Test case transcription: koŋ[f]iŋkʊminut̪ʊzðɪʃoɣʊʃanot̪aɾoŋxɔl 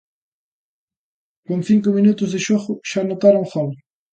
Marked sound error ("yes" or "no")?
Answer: yes